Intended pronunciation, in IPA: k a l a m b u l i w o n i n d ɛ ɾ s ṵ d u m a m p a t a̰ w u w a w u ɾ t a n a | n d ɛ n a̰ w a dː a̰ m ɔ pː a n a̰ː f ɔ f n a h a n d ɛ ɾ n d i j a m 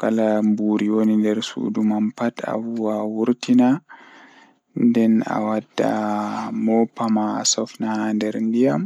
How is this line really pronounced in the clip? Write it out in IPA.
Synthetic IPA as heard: k a l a m b u ɾ i w o n i n d ɛ ɾ s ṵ d u m a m p a t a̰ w u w a w u ɾ t i n a | n d ɛ n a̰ w a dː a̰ m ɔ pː a m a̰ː s ɔ f n a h a n d ɛ ɾ n d i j a m